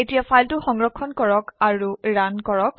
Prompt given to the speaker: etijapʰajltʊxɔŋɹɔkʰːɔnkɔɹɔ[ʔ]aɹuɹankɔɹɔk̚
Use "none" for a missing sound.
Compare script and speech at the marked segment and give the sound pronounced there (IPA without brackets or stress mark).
k